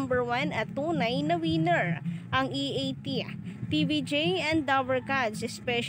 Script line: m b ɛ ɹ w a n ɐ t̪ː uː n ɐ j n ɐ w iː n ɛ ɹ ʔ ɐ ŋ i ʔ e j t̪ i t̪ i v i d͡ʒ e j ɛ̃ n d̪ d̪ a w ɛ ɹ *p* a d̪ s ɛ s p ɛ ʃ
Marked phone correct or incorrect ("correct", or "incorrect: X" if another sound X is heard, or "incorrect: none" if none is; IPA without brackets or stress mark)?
incorrect: k